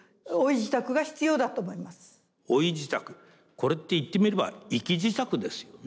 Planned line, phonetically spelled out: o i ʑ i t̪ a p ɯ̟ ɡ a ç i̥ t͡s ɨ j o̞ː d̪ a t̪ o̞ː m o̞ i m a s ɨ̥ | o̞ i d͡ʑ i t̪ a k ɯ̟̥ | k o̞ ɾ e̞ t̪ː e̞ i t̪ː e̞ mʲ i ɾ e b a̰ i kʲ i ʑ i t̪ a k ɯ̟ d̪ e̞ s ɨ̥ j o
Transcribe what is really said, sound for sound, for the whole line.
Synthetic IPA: o i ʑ i t̪ a k ɯ̟ ɡ a ç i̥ t͡s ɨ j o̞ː d̪ a t̪ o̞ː m o̞ i m a s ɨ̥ | o̞ i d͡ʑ i t̪ a k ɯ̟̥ | k o̞ ɾ e̞ t̪ː e̞ i t̪ː e̞ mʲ i ɾ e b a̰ i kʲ i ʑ i t̪ a k ɯ̟ d̪ e̞ s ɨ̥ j o